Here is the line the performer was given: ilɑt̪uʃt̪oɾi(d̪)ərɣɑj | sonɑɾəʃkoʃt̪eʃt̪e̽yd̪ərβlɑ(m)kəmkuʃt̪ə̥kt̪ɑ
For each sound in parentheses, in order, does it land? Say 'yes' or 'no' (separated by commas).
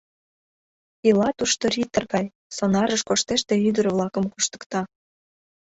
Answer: no, no